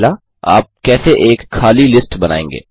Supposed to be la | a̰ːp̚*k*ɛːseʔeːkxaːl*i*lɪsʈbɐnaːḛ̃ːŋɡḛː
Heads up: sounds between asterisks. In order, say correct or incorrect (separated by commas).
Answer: correct, correct